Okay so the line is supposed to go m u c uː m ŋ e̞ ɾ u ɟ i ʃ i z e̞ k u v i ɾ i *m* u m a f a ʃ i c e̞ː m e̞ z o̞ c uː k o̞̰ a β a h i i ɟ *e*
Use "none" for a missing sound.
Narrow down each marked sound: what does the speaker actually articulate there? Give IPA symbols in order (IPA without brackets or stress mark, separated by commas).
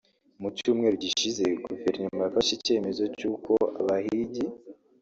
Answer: ɲ, i